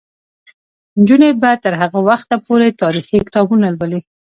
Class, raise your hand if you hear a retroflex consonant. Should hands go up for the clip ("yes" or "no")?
no